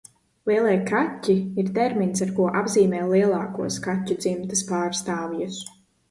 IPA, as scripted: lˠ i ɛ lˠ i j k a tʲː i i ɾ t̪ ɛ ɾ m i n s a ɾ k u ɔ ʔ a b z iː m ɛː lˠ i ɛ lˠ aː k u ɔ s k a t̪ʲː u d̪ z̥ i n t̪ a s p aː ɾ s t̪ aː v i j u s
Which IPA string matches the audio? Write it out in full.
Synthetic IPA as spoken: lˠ i ɛ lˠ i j k a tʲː i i ɾ t̪ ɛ ɾ m i n s a ɾ k u ɔ ʔ a b z iː m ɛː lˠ i ɛ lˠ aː k u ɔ s k a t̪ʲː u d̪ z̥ i m t̪ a s p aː ɾ s t̪ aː v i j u s